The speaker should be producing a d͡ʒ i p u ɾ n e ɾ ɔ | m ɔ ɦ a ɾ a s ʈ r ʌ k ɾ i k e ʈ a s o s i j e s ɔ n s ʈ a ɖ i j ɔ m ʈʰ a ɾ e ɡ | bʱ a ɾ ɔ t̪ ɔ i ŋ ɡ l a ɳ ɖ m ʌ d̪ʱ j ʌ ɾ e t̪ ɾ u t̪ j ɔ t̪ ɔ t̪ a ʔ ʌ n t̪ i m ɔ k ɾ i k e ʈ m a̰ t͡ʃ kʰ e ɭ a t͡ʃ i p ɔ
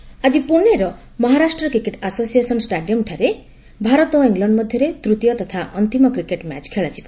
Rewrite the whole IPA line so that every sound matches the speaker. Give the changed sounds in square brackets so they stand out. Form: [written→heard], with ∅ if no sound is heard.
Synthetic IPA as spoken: a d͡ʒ i p u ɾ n e ɾ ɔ | m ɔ ɦ a ɾ a s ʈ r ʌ k ɾ i k e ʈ a s o s i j e s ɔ n s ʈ a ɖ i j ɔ m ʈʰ a ɾ e [ɡ→∅] | bʱ a ɾ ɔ t̪ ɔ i ŋ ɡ l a ɳ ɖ m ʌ d̪ʱ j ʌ ɾ e t̪ ɾ u t̪ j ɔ t̪ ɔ [t̪→t̪ʰ] a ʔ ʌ n t̪ i m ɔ k ɾ i k e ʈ m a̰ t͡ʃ kʰ e ɭ a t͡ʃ i p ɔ